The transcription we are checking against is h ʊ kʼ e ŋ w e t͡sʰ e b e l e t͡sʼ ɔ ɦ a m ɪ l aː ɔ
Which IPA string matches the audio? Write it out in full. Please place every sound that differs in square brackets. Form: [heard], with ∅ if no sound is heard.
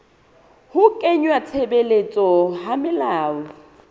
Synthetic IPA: h ʊ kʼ e [ɲ] w [a] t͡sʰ e b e l e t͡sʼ ɔ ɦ a m ɪ l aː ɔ